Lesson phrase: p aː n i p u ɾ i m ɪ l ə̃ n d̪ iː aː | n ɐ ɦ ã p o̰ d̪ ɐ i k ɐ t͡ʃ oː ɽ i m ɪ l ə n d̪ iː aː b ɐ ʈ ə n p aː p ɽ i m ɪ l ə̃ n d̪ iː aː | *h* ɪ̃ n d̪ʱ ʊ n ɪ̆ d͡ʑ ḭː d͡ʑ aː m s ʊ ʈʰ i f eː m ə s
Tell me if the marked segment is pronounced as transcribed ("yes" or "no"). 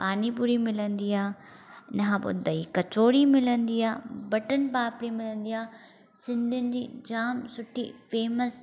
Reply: no